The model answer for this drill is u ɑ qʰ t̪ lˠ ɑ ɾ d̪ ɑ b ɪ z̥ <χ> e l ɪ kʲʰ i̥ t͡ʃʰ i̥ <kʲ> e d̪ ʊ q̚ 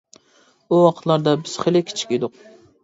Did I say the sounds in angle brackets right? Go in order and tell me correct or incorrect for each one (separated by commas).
correct, correct